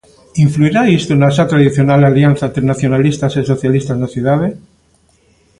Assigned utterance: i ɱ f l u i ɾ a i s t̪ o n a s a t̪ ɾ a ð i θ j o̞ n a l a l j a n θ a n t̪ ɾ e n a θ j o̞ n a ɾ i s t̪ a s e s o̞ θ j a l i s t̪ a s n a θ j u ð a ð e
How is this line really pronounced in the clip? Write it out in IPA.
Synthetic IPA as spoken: i ɱ f l u i ɾ a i s t̪ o n a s a t̪ ɾ a ð i θ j o̞ n a l a l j a n θ a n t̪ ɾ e n a θ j o̞ n a l i s t̪ a s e s o̞ θ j a l i s t̪ a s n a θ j u ð a ð e